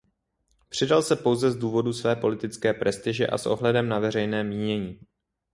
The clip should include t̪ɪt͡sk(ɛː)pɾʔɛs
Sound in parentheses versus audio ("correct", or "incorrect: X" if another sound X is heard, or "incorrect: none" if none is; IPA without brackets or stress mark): correct